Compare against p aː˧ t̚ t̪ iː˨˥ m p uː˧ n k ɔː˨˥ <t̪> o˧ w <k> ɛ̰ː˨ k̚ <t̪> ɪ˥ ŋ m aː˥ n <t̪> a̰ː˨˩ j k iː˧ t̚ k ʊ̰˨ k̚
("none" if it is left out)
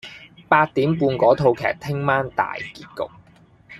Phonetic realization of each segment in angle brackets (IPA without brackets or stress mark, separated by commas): t̪ʰ, kʰ, t̪ʰ, t̪